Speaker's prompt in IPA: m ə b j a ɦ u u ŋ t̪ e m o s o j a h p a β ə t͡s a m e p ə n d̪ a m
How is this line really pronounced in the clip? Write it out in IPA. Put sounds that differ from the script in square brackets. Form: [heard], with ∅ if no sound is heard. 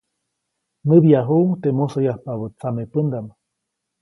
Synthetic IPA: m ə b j a ɦ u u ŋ t̪ e m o s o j a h p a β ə t͡s a m e p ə n d̪ a m